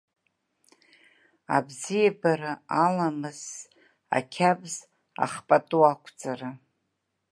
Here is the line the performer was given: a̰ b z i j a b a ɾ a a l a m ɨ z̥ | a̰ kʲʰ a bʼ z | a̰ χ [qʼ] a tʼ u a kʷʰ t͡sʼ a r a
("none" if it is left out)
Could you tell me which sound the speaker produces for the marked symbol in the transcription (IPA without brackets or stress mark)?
pʼ